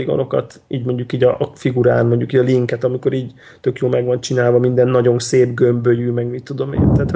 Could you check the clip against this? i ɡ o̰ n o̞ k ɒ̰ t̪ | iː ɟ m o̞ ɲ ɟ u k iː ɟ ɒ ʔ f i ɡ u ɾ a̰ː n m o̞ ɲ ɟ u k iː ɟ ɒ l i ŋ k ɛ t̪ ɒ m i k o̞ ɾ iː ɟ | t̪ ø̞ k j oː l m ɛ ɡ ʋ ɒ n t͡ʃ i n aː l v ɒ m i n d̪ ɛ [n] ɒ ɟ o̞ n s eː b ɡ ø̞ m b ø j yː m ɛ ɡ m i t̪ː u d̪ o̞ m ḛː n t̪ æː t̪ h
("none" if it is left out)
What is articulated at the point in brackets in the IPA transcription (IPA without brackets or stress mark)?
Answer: nː